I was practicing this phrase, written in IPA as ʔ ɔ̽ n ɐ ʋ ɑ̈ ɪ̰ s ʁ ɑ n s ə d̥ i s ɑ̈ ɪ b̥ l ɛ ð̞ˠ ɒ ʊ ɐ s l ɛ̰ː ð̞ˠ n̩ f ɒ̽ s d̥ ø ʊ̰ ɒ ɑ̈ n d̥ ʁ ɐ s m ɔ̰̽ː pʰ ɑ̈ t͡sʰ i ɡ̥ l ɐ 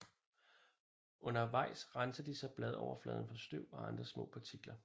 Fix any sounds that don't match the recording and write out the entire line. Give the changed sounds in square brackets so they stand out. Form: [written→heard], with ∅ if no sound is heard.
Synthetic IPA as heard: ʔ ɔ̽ n ɐ ʋ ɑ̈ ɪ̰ s ʁ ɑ n s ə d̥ i s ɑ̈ ɪ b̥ l ɛ ð̞ˠ ɒ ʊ ɐ [s→f] l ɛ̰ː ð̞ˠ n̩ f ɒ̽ s d̥ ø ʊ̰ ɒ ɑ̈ n d̥ ʁ ɐ s m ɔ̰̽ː pʰ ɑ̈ t͡sʰ i ɡ̥ l ɐ

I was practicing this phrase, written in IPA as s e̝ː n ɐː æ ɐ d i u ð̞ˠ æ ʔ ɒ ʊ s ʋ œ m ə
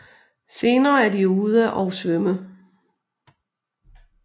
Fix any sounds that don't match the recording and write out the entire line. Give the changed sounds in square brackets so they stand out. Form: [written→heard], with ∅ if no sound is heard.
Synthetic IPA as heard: s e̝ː n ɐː æ ɐ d i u ð̞ˠ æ ʔ ɒ ʊ s ʋ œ m ə

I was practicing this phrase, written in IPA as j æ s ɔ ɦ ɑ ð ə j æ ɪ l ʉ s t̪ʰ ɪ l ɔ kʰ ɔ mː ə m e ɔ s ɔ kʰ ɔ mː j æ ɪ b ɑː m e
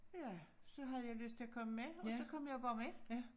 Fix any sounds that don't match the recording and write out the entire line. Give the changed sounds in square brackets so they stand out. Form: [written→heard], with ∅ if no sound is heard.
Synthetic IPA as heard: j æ s ɔ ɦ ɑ ð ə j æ ɪ l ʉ s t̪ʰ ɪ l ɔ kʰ ɔ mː ə m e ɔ s ɔ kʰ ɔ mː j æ ɪ b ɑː m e

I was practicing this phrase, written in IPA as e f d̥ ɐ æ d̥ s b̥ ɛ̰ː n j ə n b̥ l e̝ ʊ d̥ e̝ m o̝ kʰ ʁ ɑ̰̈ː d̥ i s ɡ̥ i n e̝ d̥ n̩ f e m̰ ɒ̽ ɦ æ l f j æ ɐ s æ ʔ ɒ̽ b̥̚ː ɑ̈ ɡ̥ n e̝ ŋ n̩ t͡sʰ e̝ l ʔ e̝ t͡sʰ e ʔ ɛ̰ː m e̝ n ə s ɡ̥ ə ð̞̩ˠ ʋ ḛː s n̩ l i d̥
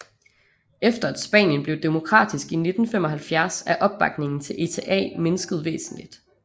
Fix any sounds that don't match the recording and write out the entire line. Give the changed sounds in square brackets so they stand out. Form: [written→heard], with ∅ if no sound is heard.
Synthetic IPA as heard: e f d̥ ɐ æ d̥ s b̥ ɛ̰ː n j ə n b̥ l e̝ ʊ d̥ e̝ m o̝ kʰ ʁ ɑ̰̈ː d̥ i s ɡ̥ i n e̝ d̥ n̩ f e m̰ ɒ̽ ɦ æ l f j æ ɐ s æ ʔ ɒ̽ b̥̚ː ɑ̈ ɡ̥ n e̝ ŋ n̩ t͡sʰ e̝ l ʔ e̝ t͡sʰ e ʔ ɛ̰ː m e̝ n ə s ɡ̥ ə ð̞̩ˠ ʋ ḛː s n̩ l i d̥

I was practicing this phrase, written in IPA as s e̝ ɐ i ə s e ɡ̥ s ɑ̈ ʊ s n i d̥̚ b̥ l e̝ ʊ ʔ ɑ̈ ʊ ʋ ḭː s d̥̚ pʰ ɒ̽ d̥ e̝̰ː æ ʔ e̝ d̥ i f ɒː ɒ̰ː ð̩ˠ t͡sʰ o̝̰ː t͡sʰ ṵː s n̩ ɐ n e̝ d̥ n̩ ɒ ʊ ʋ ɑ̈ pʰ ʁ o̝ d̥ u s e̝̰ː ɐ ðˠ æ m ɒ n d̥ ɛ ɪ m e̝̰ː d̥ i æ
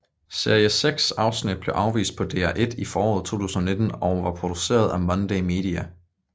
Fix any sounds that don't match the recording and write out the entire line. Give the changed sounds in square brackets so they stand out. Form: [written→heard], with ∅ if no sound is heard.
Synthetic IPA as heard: s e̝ ɐ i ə s e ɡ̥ s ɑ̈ ʊ s n i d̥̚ b̥ l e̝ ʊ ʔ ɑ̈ ʊ ʋ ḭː s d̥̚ pʰ ɒ̽ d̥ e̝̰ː æ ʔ e̝ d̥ i f ɒː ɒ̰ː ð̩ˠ t͡sʰ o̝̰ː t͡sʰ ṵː s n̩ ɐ n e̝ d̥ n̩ ɒ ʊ ʋ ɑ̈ pʰ ʁ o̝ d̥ u s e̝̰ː ɐ ðˠ æ m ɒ n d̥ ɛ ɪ m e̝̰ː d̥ i æ

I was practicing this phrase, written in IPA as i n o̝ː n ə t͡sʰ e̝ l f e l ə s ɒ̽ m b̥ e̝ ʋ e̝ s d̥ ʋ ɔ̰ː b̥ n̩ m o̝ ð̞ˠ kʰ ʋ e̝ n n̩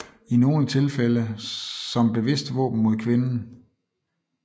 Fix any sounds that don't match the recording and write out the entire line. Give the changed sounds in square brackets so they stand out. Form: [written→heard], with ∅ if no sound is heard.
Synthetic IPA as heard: i n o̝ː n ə t͡sʰ e̝ l f e l ə s ɒ̽ m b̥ e̝ ʋ e̝ s d̥ ʋ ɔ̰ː b̥ n̩ m o̝ ð̞ˠ kʰ ʋ e̝ n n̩

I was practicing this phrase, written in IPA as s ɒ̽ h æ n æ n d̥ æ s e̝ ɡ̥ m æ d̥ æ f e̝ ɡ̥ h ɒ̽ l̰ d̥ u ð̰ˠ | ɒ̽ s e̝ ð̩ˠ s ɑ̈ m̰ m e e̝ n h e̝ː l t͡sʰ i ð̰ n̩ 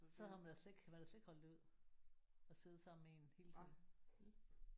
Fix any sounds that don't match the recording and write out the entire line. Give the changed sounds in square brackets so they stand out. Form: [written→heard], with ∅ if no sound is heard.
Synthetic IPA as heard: s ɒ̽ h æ [n→m] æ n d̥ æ s e̝ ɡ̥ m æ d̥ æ [f→s] e̝ ɡ̥ h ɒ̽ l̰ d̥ u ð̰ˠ | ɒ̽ s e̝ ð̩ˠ s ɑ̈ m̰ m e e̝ n h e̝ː l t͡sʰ i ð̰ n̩

